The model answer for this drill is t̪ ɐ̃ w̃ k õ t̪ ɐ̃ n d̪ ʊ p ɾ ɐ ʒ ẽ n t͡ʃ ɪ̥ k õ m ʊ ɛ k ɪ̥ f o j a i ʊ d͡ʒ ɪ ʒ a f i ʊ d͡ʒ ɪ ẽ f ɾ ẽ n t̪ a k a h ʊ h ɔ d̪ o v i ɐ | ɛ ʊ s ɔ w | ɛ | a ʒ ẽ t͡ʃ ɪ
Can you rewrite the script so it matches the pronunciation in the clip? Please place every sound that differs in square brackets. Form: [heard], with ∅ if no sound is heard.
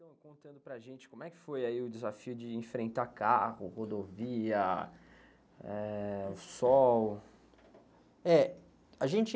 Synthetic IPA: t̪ ɐ̃ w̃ k õ t̪ ɐ̃ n d̪ ʊ p ɾ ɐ ʒ ẽ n t͡ʃ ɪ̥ k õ m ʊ ɛ k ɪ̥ f o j a i ʊ d͡ʒ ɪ [z] a f i ʊ d͡ʒ ɪ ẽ f ɾ ẽ n t̪ a k a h ʊ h [o] d̪ o v i ɐ | ɛ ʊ s ɔ w | ɛ | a ʒ ẽ t͡ʃ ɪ